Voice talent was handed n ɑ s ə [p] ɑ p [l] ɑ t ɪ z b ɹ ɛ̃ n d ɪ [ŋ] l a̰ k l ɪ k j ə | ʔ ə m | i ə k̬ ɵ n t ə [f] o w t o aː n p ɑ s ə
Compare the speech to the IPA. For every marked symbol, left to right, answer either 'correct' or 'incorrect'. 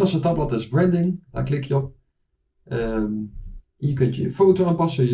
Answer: incorrect: t, correct, correct, correct

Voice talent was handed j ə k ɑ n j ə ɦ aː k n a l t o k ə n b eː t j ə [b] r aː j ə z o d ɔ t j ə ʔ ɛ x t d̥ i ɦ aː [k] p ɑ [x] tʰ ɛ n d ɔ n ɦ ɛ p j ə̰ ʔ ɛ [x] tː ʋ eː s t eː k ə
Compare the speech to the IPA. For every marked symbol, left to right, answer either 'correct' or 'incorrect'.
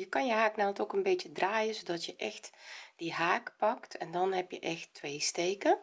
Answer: incorrect: d, correct, incorrect: k, correct

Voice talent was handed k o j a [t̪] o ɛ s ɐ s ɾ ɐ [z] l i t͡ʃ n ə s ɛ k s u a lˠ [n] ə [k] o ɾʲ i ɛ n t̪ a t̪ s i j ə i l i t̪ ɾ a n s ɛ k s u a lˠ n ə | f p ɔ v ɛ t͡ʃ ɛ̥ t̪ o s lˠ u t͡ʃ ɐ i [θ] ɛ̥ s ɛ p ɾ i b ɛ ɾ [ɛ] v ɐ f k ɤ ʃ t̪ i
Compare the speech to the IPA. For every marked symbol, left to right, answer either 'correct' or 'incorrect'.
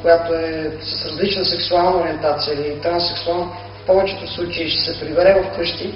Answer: correct, correct, correct, incorrect: none, incorrect: ʃ, correct

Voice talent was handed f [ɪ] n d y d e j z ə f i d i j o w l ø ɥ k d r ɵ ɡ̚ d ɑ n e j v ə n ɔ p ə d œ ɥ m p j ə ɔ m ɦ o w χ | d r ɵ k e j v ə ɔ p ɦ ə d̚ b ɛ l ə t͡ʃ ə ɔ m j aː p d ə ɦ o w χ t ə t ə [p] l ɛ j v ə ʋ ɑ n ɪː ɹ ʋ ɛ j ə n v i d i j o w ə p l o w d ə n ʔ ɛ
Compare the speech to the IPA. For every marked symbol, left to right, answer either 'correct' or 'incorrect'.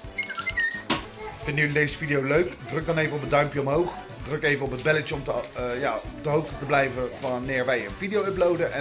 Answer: correct, incorrect: b

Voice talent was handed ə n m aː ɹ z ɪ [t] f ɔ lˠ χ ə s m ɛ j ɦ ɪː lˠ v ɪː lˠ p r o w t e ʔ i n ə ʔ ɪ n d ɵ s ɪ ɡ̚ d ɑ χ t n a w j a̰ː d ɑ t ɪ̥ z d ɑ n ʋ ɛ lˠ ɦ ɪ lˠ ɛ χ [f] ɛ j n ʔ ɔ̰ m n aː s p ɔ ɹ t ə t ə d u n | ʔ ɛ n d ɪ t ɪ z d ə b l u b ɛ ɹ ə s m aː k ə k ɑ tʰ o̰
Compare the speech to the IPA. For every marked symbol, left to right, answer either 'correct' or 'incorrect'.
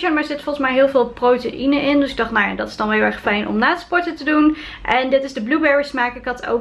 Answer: correct, correct

